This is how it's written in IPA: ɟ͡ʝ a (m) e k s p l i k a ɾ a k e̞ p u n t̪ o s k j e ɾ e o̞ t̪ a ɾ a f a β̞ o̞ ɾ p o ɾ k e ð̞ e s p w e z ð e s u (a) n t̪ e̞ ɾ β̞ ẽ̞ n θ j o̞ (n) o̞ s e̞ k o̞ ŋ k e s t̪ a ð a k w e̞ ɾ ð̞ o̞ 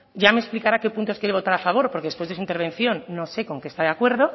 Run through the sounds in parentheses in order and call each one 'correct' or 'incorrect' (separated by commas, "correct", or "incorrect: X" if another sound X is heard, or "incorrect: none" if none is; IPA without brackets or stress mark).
correct, incorrect: i, incorrect: nː